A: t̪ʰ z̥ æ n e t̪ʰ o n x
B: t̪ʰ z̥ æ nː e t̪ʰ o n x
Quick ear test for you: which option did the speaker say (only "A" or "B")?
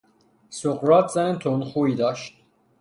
A